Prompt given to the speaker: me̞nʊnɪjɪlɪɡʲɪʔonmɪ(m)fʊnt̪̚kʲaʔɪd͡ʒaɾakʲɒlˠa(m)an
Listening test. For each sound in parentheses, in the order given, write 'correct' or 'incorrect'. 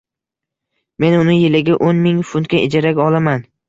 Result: incorrect: ŋ, correct

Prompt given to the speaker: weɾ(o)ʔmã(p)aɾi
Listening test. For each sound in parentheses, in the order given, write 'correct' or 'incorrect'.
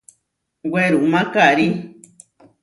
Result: incorrect: u, incorrect: k

